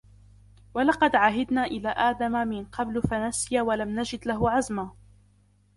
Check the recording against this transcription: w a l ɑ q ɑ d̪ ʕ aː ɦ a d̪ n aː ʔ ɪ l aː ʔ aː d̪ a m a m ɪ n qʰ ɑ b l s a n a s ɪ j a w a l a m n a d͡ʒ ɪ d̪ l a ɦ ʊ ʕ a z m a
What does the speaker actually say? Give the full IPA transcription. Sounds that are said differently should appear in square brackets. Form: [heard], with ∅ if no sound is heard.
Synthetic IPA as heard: w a l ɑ q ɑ d̪ ʕ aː ɦ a d̪ n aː ʔ ɪ l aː ʔ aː d̪ a m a m ɪ n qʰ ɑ b l [f] a n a s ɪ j a w a l a m n a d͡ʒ ɪ d̪ l a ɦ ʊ ʕ a z m a